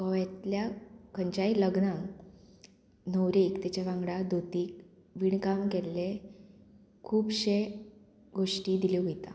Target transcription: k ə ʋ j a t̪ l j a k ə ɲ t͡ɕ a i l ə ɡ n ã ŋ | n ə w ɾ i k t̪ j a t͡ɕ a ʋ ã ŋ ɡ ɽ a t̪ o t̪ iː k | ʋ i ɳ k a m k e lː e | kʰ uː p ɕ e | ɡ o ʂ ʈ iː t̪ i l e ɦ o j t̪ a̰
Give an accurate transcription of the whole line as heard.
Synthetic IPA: k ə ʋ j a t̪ l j a k ə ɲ t͡ɕ a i l ə ɡ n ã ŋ | n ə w ɾ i k t̪ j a t͡ɕ a ʋ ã ŋ ɡ ɽ a d̪ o t̪ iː k | ʋ i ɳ k a m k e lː e | kʰ uː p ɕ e | ɡ o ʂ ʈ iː d̪ i l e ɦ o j t̪ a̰